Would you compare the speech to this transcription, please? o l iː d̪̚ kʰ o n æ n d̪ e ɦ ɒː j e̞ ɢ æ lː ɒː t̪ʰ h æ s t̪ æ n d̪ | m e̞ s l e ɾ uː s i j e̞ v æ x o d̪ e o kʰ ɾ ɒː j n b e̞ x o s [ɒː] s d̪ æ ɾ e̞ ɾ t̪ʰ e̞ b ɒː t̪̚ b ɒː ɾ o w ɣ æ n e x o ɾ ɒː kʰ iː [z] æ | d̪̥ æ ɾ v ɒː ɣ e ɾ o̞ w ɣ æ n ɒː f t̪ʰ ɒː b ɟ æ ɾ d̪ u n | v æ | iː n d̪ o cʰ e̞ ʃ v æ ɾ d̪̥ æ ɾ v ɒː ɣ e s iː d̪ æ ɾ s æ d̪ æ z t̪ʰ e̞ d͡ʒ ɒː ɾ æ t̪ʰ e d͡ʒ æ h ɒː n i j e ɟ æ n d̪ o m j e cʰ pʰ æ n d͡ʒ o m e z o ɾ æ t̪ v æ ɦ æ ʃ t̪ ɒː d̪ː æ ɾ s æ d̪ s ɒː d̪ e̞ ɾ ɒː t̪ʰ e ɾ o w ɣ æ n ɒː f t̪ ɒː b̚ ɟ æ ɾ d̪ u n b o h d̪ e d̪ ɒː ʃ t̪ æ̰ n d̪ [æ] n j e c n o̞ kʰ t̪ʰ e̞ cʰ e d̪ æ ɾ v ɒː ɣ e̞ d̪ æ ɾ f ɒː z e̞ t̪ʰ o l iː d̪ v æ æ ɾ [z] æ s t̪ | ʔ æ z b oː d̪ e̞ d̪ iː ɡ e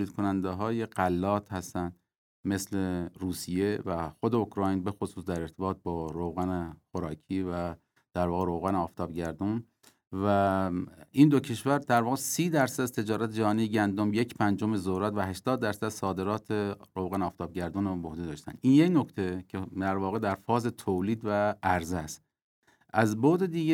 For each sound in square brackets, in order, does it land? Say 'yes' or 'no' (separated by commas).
no, no, no, yes